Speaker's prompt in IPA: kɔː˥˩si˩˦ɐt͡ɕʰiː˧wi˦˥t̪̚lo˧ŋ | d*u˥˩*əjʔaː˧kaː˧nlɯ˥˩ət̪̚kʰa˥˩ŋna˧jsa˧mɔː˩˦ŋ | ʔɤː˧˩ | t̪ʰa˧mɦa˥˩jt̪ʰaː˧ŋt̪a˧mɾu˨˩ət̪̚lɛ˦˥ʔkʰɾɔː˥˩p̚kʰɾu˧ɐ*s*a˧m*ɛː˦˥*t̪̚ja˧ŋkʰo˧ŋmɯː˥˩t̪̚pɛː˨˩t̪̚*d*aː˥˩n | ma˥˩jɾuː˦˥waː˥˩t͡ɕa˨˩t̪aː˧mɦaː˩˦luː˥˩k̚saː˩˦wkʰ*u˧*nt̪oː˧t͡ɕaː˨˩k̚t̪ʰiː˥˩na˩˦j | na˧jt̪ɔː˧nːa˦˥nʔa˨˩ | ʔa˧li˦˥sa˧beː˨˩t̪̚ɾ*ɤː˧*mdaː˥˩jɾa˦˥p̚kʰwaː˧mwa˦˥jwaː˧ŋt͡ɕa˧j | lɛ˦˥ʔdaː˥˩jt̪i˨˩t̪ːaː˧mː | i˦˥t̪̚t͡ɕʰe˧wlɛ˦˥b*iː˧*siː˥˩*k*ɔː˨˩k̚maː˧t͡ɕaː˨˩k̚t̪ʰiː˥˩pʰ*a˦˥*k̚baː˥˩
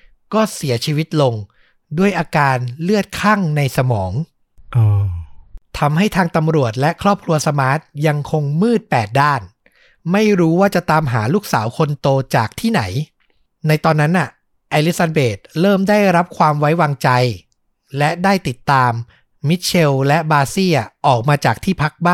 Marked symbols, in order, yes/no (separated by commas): yes, yes, no, yes, no, no, no, no, yes